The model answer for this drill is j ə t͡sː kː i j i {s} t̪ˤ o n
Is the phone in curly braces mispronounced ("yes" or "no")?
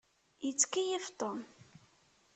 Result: yes